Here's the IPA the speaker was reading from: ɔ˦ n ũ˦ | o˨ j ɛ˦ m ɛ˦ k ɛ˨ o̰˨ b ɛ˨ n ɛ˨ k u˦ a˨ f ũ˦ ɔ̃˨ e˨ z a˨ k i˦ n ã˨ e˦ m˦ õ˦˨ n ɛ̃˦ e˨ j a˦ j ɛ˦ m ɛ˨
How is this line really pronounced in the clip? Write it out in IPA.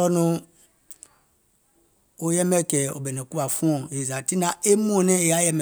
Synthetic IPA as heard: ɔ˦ n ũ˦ | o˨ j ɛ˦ m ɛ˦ k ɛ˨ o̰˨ b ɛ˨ n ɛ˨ k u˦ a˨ f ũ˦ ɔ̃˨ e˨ z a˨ t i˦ n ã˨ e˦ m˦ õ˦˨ n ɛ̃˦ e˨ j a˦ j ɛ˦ m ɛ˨